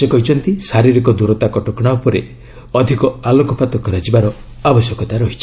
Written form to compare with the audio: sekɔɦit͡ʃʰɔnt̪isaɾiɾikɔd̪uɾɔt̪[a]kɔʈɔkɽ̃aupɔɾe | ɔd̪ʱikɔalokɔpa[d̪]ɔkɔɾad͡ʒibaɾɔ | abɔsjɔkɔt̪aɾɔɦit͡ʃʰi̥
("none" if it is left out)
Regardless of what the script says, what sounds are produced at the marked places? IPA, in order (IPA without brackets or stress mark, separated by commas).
a, t̪